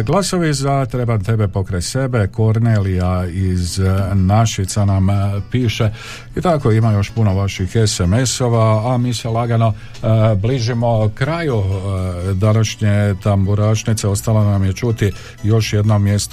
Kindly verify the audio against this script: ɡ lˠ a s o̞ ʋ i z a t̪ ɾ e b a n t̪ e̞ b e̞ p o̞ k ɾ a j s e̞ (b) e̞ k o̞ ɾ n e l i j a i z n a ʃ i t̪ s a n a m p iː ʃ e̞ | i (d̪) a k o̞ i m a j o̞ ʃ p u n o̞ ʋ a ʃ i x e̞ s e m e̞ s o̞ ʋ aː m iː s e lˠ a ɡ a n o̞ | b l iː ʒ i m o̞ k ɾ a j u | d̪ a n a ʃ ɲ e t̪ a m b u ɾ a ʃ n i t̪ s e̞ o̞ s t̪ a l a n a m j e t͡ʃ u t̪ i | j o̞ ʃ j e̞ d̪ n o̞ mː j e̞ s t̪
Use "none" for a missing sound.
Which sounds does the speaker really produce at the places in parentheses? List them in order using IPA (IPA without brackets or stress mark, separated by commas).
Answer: b, t̪